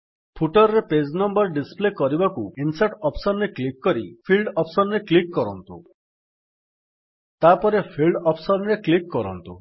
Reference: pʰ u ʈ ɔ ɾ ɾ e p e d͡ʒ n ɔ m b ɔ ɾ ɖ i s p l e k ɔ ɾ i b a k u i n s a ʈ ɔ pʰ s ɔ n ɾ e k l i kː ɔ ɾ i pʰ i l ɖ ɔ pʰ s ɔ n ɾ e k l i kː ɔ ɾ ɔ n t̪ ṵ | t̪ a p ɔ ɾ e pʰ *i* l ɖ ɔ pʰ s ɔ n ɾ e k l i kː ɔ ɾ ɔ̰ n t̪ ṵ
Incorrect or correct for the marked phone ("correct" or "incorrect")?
correct